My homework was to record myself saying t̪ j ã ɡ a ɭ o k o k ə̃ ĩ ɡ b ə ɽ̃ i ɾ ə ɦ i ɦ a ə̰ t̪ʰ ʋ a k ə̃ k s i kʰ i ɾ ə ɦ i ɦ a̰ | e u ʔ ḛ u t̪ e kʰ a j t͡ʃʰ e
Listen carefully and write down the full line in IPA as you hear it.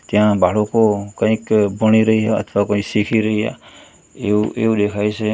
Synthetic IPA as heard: t̪ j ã b a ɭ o k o k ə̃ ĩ k b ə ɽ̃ i ɾ ə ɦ i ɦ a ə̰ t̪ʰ ʋ a k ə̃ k s i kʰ i ɾ ə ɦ i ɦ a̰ | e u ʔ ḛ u d̪ e kʰ a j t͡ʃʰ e

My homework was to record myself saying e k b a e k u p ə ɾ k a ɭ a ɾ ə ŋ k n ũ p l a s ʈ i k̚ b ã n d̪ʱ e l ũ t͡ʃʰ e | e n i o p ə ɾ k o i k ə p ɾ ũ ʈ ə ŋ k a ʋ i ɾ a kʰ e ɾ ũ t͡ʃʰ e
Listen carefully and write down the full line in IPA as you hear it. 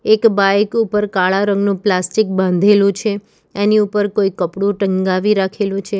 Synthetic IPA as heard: e k b a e k u p ə ɾ k a ɭ a ɾ ə ŋ ɡ n ũ p l a s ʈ i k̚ b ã n d̪ʱ e l ũ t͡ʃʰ e | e n i u p ə ɾ k o i k ə p ɽ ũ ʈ ə ŋ ɡ a ʋ i ɾ a kʰ e l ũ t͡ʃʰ e

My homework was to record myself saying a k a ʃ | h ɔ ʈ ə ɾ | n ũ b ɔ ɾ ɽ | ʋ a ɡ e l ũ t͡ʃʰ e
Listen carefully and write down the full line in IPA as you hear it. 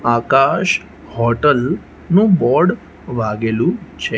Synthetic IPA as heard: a k a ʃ | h ɔ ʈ ə l | n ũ b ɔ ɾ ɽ | ʋ a ɡ e l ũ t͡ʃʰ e

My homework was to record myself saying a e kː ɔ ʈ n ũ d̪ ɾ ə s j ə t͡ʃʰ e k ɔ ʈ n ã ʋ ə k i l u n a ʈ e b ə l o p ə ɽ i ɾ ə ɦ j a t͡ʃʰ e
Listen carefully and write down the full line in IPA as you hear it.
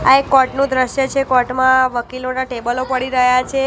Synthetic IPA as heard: a e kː ɔ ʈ n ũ d̪ ɾ ə ʃ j ə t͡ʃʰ e k ɔ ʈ m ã ʋ ə k i l o n a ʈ e b ə l o p ə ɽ i ɾ ə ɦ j a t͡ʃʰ e

